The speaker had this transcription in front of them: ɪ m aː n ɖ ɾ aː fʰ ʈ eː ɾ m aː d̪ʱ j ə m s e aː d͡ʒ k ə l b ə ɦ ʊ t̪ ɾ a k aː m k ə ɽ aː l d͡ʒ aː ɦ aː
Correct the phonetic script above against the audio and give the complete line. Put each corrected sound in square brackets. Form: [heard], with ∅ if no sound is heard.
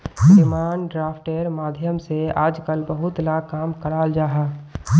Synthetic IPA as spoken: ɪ m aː n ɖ ɾ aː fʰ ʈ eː ɾ m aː d̪ʱ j ə m s e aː d͡ʒ k ə l b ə ɦ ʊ t̪ [l] a k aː m k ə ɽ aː l d͡ʒ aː ɦ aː